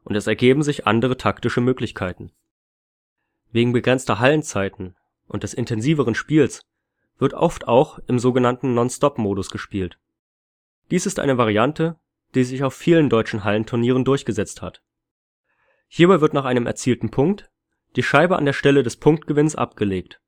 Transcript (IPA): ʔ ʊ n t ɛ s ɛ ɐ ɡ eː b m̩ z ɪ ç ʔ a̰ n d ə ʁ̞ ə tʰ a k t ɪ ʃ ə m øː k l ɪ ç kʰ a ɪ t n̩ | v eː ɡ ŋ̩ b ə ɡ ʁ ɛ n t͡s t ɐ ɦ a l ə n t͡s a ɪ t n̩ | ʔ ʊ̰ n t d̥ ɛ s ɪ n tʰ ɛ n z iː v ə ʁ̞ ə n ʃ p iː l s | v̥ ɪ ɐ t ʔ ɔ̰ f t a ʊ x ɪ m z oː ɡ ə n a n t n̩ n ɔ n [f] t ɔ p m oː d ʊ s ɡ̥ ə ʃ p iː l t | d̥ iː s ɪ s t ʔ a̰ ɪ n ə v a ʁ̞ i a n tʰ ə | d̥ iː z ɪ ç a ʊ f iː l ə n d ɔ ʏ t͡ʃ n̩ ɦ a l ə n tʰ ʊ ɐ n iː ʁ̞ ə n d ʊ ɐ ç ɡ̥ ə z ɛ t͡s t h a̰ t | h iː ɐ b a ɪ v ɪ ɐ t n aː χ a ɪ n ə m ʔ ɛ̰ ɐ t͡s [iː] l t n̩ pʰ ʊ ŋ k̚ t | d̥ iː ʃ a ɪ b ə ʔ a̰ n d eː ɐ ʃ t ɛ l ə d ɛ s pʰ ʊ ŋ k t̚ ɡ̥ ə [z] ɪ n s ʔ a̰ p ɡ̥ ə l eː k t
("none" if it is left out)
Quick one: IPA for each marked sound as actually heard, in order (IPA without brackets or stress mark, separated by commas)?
s, iː, v